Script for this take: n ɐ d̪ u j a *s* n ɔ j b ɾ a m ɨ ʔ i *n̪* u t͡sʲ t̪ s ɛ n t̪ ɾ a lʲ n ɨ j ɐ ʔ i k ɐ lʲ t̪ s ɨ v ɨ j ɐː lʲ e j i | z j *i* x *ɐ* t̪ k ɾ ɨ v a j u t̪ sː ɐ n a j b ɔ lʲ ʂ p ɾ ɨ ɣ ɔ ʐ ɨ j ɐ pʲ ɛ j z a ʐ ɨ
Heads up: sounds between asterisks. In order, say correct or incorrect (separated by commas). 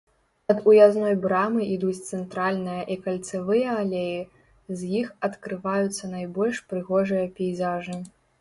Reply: incorrect, incorrect, correct, correct